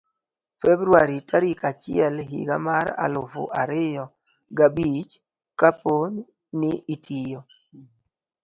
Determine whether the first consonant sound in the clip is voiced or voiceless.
voiceless